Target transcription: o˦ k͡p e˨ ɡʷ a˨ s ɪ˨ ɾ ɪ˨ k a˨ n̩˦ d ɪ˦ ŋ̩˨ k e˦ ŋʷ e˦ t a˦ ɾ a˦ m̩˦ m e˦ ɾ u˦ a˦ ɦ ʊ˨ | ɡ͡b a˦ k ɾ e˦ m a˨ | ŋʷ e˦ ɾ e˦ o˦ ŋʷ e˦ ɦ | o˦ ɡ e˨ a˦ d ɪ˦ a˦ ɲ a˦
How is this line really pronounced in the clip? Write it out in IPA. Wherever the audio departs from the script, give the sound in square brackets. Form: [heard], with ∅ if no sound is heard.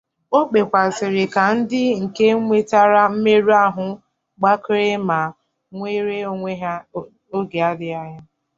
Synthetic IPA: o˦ k͡p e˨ [kʷ] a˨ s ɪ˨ ɾ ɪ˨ k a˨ n̩˦ d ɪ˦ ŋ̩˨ k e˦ ŋʷ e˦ t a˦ ɾ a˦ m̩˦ m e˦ ɾ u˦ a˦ ɦ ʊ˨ | ɡ͡b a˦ k ɾ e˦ m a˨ | ŋʷ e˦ ɾ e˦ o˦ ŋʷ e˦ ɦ | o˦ ɡ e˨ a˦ d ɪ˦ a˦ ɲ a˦